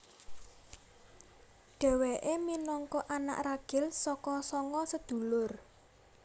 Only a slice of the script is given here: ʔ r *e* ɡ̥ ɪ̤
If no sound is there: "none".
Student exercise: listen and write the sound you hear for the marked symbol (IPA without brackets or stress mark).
a